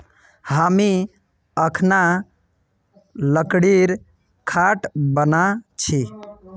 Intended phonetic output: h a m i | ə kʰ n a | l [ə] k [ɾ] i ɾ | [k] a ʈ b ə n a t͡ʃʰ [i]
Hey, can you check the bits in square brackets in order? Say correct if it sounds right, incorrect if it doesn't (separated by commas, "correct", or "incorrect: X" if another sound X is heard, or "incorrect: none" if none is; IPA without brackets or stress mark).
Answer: correct, incorrect: ɽ, incorrect: kʰ, correct